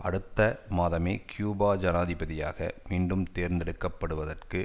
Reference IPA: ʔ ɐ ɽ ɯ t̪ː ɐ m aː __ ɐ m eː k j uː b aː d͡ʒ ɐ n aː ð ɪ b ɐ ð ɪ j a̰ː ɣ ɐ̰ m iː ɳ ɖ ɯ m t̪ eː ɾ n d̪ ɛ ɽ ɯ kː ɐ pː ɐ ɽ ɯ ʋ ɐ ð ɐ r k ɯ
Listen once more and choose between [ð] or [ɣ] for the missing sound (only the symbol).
ð